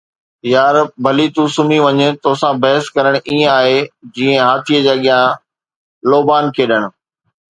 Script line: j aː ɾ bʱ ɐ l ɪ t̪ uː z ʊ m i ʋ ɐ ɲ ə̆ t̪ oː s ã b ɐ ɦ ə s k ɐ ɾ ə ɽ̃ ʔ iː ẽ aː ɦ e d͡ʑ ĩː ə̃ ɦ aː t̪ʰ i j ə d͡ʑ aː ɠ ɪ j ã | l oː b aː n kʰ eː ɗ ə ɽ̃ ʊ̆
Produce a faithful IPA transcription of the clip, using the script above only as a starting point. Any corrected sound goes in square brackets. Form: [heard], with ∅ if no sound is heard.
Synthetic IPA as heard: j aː ɾ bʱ ɐ l [i] t̪ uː [s] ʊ m i ʋ ɐ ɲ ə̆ t̪ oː s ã b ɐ ɦ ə s k ɐ ɾ ə ɽ̃ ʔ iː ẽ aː ɦ e d͡ʑ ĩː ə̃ ɦ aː t̪ʰ i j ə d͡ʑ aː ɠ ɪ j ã | l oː b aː n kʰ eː ɗ ə ɽ̃ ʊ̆

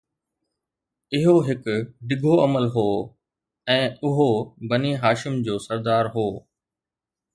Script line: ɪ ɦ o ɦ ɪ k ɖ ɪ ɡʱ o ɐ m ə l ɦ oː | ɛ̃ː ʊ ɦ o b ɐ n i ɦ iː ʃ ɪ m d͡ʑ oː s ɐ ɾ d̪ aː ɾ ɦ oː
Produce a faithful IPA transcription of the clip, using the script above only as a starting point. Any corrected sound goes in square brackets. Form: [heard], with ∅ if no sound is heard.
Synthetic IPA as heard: ɪ ɦ o ɦ ɪ k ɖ ɪ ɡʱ o ɐ m ə l ɦ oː | ɛ̃ː ʊ ɦ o b ɐ n i ɦ [aː] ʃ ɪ m d͡ʑ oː s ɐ ɾ d̪ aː ɾ ɦ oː

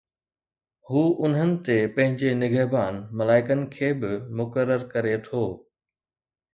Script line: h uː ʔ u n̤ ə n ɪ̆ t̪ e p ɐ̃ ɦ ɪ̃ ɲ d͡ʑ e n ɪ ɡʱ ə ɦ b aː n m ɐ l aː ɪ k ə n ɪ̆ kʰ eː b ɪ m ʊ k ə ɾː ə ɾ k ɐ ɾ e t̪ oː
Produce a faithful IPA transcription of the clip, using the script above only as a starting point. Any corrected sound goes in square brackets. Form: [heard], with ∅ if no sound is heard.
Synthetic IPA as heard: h uː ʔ [ʊ] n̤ ə n ɪ̆ t̪ e p ɐ̃ ɦ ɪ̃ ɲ d͡ʑ e n ɪ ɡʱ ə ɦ b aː n m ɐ l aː ɪ k ə n ɪ̆ kʰ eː b ɪ m ʊ k ə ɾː ə ɾ k ɐ ɾ e [t̪ʰ] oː

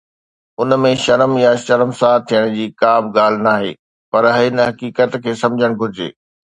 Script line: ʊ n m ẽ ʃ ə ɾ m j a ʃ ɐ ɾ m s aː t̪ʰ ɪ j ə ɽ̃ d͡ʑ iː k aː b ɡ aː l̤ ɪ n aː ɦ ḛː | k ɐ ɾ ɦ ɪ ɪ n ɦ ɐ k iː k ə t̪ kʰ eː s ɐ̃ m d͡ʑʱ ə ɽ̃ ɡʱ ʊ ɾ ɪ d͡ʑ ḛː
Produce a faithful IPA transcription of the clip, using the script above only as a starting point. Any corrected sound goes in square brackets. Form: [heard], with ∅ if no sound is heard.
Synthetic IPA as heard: ʊ n m ẽ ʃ [ɐ] ɾ m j a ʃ ɐ ɾ m s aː t̪ʰ [i] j ə ɽ̃ d͡ʑ iː k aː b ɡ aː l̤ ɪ n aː ɦ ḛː | [p] ɐ ɾ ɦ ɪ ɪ n ɦ ɐ k iː k ə t̪ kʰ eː s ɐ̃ m d͡ʑʱ ə ɽ̃ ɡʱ ʊ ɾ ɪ d͡ʑ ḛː

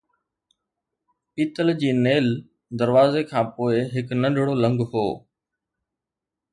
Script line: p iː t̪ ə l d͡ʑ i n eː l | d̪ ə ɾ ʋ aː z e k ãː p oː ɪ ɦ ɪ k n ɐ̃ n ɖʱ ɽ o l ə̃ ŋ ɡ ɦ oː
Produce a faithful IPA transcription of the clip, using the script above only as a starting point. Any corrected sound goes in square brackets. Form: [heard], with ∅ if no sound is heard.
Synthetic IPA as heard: p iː t̪ ə l d͡ʑ [iː] n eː l | d̪ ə ɾ ʋ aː z e [kʰ] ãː p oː ɪ ɦ ɪ k n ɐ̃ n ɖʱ ɽ o l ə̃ ŋ ɡ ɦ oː

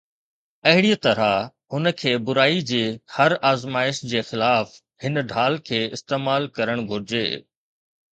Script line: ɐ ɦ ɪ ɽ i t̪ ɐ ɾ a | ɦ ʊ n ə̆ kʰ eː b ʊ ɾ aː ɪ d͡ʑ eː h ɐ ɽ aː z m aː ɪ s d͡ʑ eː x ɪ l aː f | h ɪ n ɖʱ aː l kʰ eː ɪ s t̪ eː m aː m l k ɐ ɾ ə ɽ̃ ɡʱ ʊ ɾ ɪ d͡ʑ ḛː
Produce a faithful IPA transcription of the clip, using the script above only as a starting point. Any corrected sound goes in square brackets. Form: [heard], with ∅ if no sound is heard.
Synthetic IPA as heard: ɐ ɦ ɪ ɽ i t̪ ɐ ɾ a | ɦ ʊ n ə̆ kʰ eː b ʊ ɾ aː [i] d͡ʑ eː h ɐ [ɾ] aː z m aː ɪ [ʃ] d͡ʑ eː x ɪ l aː f | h ɪ n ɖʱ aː l kʰ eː ɪ s t̪ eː m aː [∅] l k ɐ ɾ ə ɽ̃ ɡʱ ʊ ɾ ɪ d͡ʑ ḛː

